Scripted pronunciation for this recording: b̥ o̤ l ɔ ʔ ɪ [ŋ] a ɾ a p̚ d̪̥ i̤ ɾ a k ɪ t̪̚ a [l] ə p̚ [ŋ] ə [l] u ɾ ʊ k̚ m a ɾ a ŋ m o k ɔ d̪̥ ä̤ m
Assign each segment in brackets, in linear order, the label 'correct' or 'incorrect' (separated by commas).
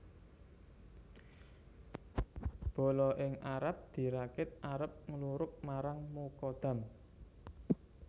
correct, incorrect, correct, correct